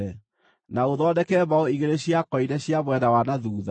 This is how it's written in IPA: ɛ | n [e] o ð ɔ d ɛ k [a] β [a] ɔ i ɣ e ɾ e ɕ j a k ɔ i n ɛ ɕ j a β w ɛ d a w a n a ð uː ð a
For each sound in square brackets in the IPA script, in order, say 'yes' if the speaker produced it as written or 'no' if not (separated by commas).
no, no, yes